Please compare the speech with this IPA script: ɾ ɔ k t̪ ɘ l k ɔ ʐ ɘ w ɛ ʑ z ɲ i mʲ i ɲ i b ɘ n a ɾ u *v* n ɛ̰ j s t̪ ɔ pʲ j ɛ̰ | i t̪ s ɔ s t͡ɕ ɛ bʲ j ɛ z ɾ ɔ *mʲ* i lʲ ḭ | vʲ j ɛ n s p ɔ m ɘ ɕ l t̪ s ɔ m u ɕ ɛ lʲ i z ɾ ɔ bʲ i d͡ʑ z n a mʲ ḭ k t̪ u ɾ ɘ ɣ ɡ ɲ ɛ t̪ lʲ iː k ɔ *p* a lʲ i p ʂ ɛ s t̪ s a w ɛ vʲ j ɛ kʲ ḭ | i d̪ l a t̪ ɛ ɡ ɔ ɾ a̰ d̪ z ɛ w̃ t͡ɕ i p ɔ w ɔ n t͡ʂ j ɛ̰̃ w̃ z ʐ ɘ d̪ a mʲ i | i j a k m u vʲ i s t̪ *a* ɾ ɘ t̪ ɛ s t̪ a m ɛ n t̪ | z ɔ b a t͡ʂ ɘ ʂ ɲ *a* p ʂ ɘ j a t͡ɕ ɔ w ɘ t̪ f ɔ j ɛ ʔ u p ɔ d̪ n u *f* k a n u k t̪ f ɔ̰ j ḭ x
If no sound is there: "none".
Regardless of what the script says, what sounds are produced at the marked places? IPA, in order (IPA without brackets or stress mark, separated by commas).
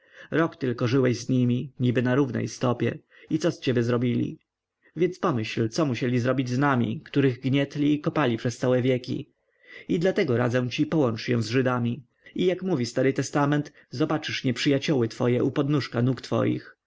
v, bʲ, p, a, ɛ, ʂ